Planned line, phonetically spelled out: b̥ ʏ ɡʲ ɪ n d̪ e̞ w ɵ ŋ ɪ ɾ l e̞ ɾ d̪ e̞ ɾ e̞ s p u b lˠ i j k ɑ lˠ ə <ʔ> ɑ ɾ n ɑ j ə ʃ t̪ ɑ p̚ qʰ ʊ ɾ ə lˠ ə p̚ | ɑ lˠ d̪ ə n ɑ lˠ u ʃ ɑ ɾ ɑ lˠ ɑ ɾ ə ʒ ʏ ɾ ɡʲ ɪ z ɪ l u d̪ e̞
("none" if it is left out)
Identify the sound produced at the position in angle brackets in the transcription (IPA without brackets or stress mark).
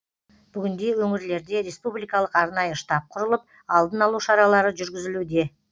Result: q